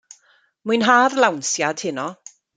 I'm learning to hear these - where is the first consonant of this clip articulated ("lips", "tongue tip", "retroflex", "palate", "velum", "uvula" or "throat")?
lips